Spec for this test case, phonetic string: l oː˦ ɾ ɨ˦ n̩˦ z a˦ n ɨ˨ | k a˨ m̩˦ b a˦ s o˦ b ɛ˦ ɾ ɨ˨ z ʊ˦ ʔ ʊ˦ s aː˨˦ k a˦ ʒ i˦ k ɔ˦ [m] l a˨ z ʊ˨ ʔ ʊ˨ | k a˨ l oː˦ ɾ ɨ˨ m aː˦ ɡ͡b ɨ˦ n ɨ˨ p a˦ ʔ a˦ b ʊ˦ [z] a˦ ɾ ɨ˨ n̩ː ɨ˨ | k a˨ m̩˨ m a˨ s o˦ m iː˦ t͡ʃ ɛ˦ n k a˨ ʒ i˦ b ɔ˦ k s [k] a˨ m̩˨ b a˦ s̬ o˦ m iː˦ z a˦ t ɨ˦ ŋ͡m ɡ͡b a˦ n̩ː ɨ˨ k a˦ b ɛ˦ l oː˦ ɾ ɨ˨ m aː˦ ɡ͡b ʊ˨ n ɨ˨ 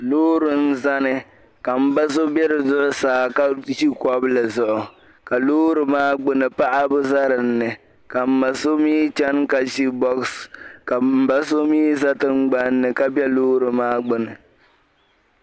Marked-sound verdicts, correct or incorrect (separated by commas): incorrect, correct, correct